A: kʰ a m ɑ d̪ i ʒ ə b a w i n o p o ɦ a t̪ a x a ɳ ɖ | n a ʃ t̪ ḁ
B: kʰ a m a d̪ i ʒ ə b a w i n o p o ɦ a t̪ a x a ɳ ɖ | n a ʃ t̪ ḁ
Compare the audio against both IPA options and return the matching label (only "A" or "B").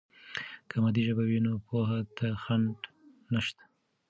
B